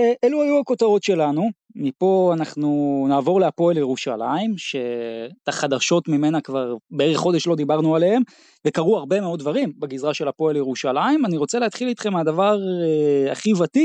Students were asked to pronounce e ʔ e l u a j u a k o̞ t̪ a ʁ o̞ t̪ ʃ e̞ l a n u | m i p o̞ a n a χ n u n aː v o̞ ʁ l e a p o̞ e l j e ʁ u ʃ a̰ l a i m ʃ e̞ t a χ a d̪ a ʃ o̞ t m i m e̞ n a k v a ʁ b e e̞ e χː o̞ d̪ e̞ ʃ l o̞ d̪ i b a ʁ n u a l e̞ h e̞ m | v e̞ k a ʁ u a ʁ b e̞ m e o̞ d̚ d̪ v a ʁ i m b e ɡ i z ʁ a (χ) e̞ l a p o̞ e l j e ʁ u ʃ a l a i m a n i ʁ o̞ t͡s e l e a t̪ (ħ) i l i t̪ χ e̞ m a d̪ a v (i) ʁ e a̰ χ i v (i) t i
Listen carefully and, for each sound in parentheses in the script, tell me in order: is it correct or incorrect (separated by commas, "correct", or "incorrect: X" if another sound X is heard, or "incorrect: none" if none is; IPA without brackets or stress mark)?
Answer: incorrect: ʃ, incorrect: χ, incorrect: a, incorrect: a